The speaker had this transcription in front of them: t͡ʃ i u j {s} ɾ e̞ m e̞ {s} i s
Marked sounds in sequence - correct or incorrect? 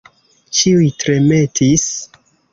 incorrect: t, incorrect: t

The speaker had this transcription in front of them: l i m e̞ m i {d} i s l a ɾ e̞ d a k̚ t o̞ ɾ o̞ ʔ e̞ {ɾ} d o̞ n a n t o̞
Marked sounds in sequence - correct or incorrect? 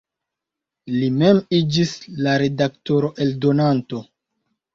incorrect: d͡ʒ, incorrect: l

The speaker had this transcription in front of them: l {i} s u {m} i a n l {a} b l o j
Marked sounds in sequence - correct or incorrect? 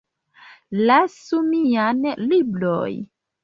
incorrect: a, correct, incorrect: i

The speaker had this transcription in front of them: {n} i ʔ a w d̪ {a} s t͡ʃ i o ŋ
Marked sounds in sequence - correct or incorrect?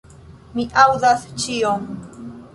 incorrect: m, correct

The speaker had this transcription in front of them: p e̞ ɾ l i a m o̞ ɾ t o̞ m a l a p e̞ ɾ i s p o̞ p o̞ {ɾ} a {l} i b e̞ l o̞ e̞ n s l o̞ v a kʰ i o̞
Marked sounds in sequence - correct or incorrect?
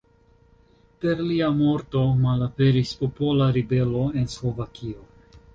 incorrect: l, incorrect: ɾ

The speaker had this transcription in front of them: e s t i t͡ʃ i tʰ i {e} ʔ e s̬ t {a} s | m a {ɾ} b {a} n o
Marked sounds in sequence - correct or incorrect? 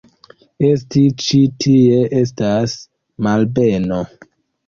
correct, correct, incorrect: l, incorrect: e

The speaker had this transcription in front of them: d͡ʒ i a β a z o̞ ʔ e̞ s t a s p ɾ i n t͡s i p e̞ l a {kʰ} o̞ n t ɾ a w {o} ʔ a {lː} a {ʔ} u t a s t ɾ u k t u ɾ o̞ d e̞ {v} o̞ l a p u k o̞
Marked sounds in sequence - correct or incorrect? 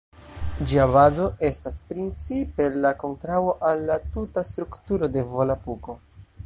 incorrect: k, correct, correct, incorrect: t, correct

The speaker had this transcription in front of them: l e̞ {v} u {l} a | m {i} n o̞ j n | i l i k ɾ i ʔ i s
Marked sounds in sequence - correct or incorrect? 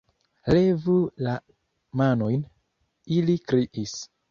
correct, correct, incorrect: a

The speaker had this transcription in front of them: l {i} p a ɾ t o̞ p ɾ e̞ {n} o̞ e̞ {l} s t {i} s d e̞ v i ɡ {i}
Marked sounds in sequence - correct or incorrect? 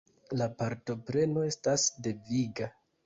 incorrect: a, correct, incorrect: none, incorrect: a, incorrect: a

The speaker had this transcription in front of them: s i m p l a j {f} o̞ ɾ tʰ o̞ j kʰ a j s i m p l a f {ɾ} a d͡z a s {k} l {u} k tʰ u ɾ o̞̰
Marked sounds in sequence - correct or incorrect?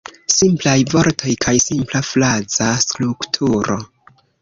incorrect: v, incorrect: l, correct, correct

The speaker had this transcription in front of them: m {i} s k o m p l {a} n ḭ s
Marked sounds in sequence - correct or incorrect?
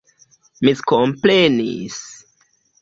correct, incorrect: e

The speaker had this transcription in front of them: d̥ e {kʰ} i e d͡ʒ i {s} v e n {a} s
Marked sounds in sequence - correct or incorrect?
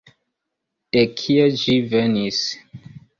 correct, incorrect: none, incorrect: i

